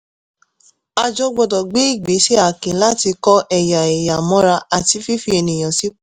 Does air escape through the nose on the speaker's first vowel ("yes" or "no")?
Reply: no